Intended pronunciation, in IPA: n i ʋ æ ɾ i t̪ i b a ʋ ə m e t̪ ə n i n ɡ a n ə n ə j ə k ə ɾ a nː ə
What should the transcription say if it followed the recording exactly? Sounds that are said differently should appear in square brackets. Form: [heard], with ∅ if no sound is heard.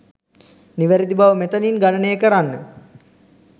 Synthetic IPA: n i ʋ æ ɾ i [d̪] i b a ʋ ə m e t̪ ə n i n ɡ a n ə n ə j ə k ə ɾ a nː ə